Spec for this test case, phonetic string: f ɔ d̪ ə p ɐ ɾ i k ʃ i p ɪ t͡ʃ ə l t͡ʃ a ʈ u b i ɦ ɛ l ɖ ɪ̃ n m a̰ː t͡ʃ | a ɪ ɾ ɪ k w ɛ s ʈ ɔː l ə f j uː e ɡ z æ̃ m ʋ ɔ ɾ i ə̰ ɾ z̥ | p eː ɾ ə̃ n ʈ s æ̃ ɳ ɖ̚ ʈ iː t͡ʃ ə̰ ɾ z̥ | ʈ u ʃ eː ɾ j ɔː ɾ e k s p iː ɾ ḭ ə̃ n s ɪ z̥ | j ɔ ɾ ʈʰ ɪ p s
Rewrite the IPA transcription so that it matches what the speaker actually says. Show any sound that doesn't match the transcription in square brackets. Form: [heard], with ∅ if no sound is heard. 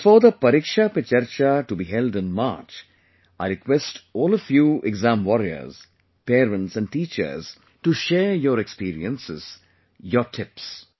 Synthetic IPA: f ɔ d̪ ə p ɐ ɾ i k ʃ [a] p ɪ t͡ʃ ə [ɾ] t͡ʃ a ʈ u b i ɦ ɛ l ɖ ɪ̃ n m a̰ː t͡ʃ | a ɪ ɾ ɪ k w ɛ s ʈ ɔː l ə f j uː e ɡ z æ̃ m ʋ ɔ ɾ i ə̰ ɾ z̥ | p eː ɾ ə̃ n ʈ s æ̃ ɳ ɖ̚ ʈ iː t͡ʃ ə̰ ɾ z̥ | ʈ u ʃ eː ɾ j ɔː ɾ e k s p iː ɾ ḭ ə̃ n s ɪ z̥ | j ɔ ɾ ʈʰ ɪ p s